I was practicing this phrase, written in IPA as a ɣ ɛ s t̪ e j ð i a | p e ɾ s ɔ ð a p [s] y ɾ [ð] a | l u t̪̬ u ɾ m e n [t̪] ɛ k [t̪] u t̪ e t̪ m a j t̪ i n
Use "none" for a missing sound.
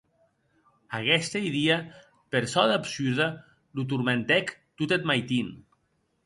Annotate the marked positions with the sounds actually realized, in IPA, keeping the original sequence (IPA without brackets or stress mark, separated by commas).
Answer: s, ð, t̪, t̪